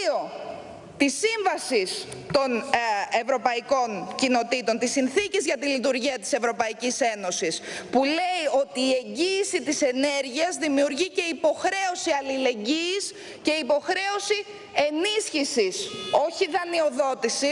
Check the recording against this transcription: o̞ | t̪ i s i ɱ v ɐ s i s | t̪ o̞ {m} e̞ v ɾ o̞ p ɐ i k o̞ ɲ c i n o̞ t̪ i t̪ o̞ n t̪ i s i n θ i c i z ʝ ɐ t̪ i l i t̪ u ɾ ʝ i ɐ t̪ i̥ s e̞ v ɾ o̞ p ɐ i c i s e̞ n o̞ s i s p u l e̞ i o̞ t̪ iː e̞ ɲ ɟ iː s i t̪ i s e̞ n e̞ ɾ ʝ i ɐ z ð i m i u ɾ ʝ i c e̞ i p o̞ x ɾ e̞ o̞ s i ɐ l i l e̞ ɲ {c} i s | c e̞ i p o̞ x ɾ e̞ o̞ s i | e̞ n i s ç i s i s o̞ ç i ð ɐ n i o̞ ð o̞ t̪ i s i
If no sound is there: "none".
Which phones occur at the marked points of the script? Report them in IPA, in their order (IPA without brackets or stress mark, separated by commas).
n, ɟ